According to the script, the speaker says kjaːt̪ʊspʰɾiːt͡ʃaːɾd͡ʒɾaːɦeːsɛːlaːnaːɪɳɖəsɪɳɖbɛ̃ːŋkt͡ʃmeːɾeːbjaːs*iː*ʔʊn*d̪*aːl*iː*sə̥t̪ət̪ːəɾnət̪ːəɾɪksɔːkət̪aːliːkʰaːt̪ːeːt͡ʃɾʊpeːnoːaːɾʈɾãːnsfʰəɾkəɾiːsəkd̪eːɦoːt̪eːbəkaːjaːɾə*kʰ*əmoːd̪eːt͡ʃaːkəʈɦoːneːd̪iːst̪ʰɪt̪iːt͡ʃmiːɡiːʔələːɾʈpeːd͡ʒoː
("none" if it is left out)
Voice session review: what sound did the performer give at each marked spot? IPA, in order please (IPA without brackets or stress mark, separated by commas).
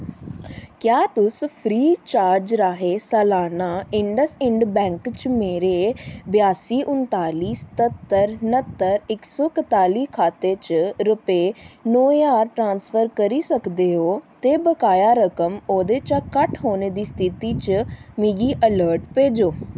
iː, t̪, iː, k